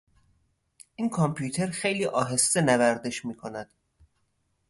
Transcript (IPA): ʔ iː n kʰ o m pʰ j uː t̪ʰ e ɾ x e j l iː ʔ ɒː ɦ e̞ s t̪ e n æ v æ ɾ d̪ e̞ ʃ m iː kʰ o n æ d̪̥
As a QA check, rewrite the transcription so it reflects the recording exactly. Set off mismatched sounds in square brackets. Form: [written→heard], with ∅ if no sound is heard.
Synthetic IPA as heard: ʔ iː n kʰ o m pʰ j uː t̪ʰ e ɾ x e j l iː ʔ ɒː ɦ e̞ s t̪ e n æ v æ ɾ d̪ e̞ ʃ m iː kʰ o n æ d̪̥

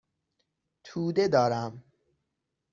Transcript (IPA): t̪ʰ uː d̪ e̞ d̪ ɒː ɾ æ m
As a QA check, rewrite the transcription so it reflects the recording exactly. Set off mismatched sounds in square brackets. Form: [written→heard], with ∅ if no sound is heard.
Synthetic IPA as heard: t̪ʰ uː d̪ e̞ d̪ ɒː ɾ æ m

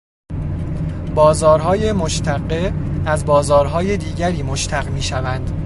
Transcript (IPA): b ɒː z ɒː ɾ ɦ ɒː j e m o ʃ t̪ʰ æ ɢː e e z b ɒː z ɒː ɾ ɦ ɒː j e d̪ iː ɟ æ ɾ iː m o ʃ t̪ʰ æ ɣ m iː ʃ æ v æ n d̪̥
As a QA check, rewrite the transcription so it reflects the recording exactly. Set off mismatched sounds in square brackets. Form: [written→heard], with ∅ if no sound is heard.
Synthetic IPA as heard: b ɒː z ɒː ɾ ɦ ɒː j e m o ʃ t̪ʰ æ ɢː e [e→æ] z b ɒː z ɒː ɾ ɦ ɒː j e d̪ iː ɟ æ ɾ iː m o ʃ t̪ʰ æ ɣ m iː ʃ æ v æ n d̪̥

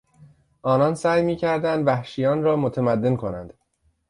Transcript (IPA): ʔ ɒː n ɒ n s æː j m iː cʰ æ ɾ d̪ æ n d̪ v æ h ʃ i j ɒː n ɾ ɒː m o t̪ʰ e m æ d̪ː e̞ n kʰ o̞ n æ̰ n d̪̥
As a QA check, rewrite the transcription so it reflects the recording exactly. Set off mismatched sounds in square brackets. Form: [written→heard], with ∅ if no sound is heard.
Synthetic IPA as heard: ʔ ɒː n ɒ n s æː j m iː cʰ æ ɾ d̪ æ n d̪ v æ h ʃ i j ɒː n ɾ ɒː m o t̪ʰ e m æ d̪ː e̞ n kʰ o̞ n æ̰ n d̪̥

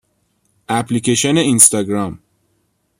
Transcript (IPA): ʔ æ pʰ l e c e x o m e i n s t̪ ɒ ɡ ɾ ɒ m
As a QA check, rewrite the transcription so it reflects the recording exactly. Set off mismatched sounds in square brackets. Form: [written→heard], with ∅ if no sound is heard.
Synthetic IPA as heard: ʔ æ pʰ l [e→i] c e [x→ʃ] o [m→n] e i n s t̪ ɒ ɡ ɾ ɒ m

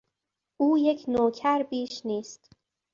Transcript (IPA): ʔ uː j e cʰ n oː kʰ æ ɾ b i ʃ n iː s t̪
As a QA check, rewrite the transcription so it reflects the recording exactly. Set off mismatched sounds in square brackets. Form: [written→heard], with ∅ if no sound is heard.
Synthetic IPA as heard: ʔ uː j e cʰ n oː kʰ æ ɾ b [i→iː] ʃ n iː s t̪

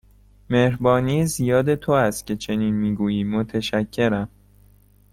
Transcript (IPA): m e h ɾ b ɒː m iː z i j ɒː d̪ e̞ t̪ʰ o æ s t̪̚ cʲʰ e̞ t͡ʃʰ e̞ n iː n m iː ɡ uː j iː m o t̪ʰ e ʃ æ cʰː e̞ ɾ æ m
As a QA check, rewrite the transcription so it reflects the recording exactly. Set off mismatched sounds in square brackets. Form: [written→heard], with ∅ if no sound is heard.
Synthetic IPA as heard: m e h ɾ b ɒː [m→n] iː z i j ɒː d̪ e̞ t̪ʰ o æ s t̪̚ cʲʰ e̞ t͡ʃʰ e̞ n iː n m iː ɡ uː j iː m o t̪ʰ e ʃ æ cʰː e̞ ɾ æ m

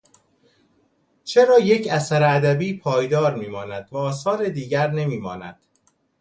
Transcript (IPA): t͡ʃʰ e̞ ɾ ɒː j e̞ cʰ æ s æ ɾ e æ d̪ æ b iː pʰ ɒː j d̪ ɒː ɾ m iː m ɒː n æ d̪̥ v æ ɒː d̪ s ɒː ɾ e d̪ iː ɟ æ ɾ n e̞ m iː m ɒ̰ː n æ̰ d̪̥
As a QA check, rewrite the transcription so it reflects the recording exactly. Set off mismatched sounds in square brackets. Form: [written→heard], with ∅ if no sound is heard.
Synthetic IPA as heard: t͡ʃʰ e̞ ɾ ɒː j e̞ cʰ æ s æ ɾ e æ d̪ æ b iː pʰ ɒː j d̪ ɒː ɾ m iː m ɒː n æ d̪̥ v æ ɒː [d̪→∅] s ɒː ɾ e d̪ iː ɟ æ ɾ n e̞ m iː m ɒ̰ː n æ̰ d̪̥

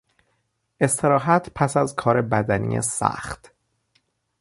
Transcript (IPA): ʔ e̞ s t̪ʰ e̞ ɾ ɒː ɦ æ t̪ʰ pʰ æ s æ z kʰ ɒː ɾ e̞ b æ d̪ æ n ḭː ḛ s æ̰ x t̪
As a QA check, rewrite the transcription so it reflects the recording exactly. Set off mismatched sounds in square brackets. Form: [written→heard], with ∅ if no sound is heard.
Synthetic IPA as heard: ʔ e̞ s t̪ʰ e̞ ɾ ɒː ɦ æ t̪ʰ pʰ æ s æ z kʰ ɒː ɾ e̞ b æ d̪ æ n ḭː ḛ s æ̰ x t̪

